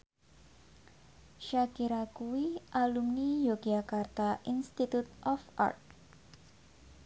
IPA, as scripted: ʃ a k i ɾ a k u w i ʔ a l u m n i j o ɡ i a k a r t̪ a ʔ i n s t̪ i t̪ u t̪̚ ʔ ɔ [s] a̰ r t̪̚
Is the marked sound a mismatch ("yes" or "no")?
yes